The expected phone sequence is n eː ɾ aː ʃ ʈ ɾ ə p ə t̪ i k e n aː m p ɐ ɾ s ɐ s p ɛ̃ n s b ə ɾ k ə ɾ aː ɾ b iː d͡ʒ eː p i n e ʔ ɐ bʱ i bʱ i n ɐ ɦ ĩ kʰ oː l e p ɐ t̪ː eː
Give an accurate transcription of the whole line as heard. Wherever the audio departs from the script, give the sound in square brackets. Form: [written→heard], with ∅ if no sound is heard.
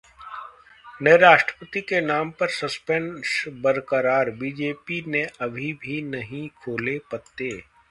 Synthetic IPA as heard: n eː ɾ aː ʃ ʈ ɾ ə p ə t̪ i k e n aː m p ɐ ɾ s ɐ s p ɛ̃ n s b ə ɾ k ə ɾ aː ɾ b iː d͡ʒ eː p i n e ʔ ɐ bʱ i bʱ i n ɐ ɦ ĩ kʰ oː l e p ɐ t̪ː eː